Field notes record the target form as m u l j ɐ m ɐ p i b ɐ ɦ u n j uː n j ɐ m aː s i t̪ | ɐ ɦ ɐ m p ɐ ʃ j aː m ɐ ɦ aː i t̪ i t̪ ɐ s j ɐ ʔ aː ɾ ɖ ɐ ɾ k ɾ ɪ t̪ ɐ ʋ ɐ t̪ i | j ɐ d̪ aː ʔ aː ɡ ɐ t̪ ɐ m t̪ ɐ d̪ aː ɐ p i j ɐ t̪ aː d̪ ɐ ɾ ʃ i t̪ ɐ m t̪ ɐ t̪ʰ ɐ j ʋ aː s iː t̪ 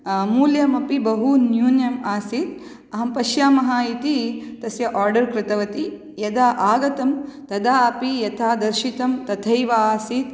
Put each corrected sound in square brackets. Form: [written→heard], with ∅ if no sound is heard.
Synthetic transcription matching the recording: m [u→uː] l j ɐ m ɐ p i b ɐ ɦ u n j uː n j ɐ m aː s i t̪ | ɐ ɦ ɐ m p ɐ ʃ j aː m ɐ ɦ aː i t̪ i t̪ ɐ s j ɐ ʔ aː ɾ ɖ ɐ ɾ k ɾ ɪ t̪ ɐ ʋ ɐ t̪ i | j ɐ d̪ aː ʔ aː ɡ ɐ t̪ ɐ m t̪ ɐ d̪ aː ɐ p i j ɐ [t̪→t̪ʰ] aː d̪ ɐ ɾ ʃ i t̪ ɐ m t̪ ɐ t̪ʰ ɐ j ʋ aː s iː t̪